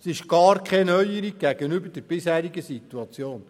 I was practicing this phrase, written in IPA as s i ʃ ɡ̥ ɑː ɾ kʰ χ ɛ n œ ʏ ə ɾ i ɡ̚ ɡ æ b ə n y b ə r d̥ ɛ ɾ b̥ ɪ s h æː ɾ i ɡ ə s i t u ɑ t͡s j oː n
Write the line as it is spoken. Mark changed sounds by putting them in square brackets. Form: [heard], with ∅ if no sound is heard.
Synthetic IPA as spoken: s [ɪ] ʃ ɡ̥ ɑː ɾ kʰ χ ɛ n œ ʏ ə ɾ i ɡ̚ ɡ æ [ɡ] ə n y b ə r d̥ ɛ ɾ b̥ ɪ s h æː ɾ i ɡ ə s i t u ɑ t͡s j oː n